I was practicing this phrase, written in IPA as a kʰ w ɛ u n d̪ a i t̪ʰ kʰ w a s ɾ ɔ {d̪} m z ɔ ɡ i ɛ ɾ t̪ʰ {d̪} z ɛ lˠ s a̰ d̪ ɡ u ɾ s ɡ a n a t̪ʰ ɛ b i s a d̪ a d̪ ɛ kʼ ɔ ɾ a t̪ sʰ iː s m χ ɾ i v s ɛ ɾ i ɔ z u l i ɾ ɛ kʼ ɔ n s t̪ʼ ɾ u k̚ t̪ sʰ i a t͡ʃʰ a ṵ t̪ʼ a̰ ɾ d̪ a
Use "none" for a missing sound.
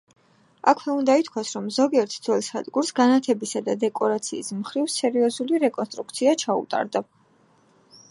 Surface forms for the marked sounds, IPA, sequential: none, d̪

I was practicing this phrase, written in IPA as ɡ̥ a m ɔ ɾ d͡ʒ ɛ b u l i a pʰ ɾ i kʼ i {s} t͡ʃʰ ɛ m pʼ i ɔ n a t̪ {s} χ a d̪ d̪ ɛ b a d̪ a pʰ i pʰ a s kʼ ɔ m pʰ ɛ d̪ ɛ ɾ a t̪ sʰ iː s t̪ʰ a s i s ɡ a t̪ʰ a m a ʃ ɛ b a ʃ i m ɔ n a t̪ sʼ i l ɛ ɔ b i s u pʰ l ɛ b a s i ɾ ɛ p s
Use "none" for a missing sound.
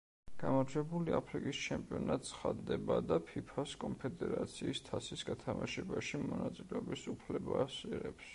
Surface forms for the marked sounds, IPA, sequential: s, s

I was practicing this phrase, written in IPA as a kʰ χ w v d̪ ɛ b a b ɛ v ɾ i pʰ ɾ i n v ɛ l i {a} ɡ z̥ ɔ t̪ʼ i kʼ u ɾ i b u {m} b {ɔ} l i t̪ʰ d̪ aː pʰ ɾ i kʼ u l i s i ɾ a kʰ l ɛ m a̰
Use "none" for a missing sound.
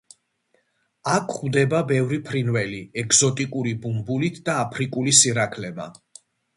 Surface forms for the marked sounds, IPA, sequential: ɛ, m, u

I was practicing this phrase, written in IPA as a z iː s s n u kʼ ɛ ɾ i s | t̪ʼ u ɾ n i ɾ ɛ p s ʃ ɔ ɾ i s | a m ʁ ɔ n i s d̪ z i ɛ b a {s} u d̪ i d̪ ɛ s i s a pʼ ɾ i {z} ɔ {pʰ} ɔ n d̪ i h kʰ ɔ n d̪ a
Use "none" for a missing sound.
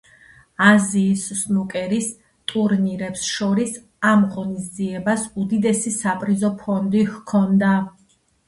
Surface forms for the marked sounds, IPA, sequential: s, z, pʰ

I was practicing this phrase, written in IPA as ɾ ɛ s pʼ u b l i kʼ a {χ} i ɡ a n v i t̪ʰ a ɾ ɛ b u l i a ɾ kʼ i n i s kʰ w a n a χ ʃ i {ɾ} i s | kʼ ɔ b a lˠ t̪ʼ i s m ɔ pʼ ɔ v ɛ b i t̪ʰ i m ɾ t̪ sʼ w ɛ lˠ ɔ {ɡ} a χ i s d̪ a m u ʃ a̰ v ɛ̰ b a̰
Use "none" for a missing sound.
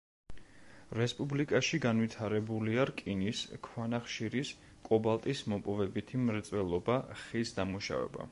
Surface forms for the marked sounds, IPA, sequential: ʃ, ɾ, b

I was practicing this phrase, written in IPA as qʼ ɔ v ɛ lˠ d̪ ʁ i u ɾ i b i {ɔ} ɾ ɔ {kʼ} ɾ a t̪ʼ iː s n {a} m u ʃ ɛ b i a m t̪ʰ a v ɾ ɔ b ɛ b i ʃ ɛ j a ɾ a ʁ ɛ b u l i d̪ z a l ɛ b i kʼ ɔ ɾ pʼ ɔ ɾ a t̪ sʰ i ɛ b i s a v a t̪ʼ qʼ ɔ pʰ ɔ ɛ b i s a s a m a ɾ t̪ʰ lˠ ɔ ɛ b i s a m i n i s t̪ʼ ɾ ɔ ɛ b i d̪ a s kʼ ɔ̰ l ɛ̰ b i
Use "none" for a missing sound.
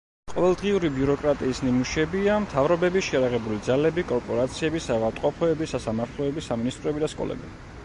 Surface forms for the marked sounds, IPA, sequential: u, kʼ, i

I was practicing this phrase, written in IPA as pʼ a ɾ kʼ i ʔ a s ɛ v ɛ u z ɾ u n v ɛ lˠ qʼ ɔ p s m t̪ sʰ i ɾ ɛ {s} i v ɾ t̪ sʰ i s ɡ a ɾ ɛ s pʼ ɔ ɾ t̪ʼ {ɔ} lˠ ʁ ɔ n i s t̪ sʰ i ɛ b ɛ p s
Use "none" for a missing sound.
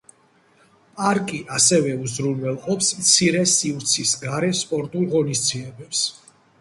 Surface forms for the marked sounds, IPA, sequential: s, u

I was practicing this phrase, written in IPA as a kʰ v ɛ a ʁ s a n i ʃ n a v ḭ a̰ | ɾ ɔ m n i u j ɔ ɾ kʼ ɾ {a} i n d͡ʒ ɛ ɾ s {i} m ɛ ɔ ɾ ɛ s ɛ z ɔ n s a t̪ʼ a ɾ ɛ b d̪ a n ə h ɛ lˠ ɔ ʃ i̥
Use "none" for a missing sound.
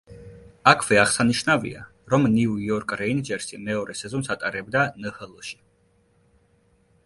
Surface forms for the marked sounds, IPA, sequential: ɛ, i

